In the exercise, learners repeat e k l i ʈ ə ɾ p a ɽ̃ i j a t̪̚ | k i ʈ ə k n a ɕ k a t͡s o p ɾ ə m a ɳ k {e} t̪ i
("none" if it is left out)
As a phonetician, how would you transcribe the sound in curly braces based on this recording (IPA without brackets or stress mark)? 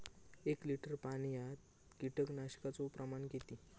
e